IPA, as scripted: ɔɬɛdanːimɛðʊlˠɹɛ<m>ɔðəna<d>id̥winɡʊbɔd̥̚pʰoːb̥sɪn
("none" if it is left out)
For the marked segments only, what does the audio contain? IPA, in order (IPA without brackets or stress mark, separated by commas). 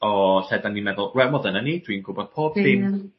m, n